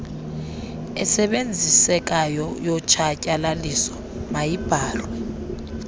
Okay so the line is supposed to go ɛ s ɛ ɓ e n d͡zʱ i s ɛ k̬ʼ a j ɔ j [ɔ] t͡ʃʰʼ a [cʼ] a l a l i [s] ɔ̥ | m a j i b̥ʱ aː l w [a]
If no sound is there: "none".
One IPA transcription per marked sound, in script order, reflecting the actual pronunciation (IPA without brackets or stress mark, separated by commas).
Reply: ɔ, cʼ, s, ɛ